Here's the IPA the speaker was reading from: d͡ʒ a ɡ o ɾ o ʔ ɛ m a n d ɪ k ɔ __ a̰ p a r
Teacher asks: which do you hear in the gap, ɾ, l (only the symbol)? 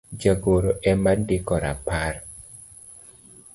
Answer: ɾ